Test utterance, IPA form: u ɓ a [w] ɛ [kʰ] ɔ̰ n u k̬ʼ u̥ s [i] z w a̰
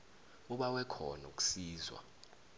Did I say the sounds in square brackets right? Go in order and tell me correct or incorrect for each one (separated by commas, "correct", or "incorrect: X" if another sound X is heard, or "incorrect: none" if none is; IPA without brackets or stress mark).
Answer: correct, correct, incorrect: iː